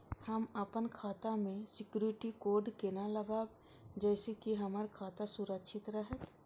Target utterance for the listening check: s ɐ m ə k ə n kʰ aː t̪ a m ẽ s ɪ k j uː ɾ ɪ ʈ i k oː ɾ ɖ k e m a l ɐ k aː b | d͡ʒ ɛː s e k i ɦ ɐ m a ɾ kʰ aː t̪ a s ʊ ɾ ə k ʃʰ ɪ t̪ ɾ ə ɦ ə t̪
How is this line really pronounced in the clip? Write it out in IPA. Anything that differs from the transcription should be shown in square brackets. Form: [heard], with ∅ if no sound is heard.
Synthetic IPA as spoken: [h] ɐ m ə [p] ə n kʰ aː t̪ a m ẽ s ɪ k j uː ɾ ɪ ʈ i k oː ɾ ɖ k e [n] a l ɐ [ɡ] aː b | d͡ʒ ɛː s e k i ɦ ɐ m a ɾ kʰ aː t̪ a s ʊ ɾ ə k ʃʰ ɪ t̪ ɾ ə ɦ ə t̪